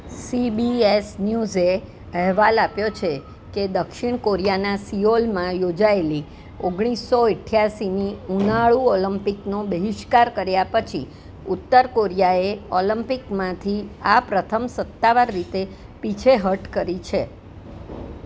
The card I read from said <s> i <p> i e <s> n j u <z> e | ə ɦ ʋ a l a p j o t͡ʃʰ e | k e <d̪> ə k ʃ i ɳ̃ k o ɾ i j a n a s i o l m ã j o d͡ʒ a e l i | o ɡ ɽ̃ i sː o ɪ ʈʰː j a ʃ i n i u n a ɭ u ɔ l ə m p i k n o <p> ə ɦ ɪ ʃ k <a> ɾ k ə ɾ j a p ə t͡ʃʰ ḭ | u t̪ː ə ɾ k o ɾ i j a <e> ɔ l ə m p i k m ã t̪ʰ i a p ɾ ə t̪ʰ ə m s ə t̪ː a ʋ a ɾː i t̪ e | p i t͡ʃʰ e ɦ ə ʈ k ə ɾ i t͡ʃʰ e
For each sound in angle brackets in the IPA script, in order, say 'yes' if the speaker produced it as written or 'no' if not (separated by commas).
yes, no, yes, yes, yes, no, yes, yes